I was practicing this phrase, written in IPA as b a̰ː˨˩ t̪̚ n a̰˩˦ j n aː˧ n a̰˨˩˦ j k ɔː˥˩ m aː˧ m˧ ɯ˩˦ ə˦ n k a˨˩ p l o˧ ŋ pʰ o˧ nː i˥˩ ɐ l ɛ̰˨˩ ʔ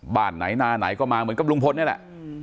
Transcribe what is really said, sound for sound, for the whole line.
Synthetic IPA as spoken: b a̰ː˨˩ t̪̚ n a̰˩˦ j n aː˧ n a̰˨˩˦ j k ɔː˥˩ m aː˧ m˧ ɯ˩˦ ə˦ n k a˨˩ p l u˧ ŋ pʰ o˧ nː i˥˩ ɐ l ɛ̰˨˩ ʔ